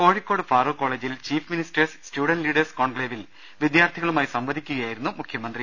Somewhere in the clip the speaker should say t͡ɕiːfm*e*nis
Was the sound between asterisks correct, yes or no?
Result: no